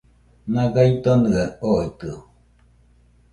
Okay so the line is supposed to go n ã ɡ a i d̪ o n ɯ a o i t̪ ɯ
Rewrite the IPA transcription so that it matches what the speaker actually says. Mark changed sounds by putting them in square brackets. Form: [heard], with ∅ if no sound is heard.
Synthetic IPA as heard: n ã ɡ a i [t̪] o n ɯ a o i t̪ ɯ